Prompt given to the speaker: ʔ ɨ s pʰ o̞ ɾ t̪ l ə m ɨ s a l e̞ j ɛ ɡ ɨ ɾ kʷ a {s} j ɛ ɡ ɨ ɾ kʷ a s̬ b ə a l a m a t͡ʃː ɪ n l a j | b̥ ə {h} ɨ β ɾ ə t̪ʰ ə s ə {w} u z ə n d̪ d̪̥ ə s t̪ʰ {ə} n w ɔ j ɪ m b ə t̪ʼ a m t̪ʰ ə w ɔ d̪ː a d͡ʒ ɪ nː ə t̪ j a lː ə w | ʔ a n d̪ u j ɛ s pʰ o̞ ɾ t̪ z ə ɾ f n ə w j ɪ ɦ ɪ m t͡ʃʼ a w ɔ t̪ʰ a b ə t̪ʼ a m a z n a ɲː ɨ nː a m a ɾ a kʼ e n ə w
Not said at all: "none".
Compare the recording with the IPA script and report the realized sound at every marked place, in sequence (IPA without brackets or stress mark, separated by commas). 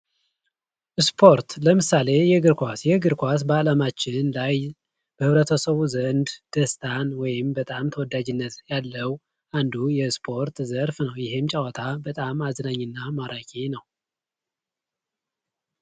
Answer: s, h, β, a